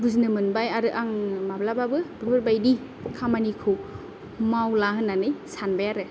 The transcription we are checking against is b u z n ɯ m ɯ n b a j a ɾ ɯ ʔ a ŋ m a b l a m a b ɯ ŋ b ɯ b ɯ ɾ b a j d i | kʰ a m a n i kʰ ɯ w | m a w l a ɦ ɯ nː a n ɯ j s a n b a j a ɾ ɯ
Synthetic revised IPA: b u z n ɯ m ɯ n b a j a ɾ ɯ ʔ a ŋ m a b l a b a b ɯ b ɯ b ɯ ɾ b a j d i | kʰ a m a n i kʰ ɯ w | m a w l a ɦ ɯ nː a n ɯ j s a n b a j a ɾ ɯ